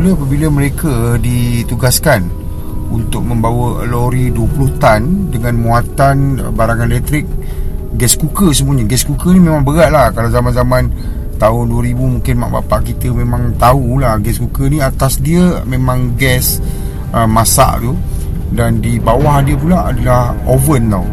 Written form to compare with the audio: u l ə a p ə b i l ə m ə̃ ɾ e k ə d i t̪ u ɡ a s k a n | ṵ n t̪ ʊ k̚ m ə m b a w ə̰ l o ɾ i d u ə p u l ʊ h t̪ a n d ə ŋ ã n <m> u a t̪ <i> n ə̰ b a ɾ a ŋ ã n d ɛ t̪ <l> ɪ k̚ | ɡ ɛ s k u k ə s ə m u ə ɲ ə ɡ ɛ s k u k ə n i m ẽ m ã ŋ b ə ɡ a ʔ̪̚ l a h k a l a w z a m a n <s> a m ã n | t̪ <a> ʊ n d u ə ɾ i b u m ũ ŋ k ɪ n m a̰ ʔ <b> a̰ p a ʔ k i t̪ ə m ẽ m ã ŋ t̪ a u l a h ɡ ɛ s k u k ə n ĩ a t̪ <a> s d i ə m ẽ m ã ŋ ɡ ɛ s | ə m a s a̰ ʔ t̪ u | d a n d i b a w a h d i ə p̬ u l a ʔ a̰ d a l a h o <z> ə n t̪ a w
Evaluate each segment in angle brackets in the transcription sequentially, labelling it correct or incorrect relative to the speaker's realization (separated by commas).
correct, incorrect, incorrect, incorrect, correct, correct, correct, incorrect